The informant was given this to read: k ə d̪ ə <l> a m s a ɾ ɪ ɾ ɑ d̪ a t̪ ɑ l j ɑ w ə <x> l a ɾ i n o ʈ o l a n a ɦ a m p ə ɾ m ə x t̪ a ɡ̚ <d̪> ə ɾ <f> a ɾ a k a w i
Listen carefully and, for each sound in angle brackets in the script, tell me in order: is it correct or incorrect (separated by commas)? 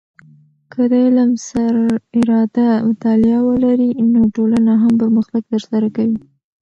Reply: correct, incorrect, incorrect, incorrect